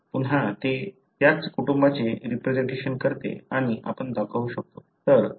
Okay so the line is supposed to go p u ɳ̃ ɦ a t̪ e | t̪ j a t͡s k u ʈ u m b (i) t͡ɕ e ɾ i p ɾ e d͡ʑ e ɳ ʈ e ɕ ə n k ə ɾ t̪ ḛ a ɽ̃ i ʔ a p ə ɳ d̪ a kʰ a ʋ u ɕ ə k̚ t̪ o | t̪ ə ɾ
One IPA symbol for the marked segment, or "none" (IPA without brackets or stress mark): a